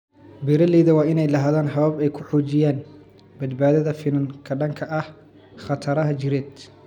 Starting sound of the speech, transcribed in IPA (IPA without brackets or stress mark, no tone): b